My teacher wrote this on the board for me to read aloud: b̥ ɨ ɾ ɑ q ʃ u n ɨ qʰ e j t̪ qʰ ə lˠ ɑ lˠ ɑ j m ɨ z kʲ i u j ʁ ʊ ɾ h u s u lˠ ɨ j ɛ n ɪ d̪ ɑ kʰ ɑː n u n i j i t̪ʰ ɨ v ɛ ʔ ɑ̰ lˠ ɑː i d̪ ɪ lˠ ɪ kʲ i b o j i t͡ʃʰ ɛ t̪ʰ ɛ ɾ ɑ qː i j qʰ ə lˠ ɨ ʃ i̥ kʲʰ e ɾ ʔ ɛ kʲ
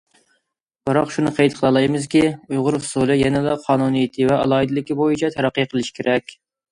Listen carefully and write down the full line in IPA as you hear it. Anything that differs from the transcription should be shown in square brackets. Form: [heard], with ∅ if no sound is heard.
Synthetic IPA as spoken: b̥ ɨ ɾ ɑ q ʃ u n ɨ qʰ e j t̪ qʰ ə lˠ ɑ lˠ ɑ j m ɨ z kʲ i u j ʁ ʊ ɾ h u s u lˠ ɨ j ɛ n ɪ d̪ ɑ [qʰ] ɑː n u n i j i t̪ʰ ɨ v ɛ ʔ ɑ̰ lˠ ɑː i d̪ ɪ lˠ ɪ kʲ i b o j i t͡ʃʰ ɛ t̪ʰ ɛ ɾ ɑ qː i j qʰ ə lˠ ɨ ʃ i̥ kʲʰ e ɾ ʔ ɛ kʲ